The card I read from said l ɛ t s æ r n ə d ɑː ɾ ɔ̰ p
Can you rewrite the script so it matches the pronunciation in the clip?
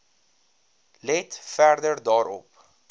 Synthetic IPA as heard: l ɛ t f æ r d ə d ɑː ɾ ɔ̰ p